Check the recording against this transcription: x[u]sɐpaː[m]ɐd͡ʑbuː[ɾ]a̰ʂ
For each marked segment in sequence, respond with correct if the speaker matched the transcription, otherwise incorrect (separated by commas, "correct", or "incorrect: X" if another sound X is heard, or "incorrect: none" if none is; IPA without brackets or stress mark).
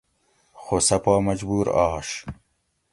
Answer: incorrect: o, correct, correct